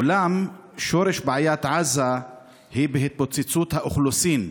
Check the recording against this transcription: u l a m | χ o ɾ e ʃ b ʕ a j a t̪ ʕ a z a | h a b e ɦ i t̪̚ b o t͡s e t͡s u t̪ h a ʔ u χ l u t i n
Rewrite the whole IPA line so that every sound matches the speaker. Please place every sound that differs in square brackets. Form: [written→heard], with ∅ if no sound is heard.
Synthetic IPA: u l a m | [χ→ʃ] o ɾ e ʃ b ʕ a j a t̪ ʕ a z a | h [a→i] b e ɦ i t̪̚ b o t͡s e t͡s u t̪ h a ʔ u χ l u [t→s] i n